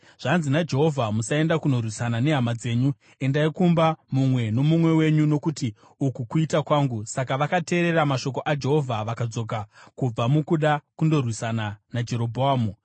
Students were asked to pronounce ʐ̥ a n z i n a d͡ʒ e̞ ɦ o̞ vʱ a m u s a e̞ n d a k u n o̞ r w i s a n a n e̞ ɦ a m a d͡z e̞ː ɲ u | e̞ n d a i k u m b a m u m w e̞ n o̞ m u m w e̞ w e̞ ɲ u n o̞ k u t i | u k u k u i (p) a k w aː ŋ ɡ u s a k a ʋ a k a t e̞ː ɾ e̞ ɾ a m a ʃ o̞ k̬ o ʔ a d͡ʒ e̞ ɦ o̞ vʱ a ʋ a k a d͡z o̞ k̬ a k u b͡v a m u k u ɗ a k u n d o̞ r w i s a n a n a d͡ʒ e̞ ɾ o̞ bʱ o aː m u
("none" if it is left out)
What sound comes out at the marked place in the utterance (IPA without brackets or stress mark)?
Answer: t